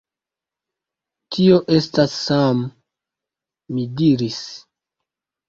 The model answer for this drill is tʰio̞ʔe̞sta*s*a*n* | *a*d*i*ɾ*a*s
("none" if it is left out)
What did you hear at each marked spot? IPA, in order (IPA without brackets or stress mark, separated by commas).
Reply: sː, m, i, i, i